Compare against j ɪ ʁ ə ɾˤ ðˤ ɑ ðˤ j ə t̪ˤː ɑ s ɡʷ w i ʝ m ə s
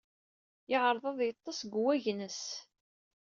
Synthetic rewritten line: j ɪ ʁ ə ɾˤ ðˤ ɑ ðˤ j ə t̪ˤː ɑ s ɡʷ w æ ʝ n ə s